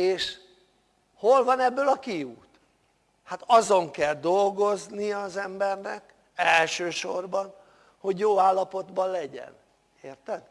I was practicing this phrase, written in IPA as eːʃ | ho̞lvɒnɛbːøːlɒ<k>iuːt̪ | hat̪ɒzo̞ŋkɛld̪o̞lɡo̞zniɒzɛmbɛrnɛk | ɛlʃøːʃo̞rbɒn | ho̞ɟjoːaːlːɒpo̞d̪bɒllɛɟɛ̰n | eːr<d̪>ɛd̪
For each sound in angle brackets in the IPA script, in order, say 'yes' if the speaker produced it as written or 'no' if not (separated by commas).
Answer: yes, no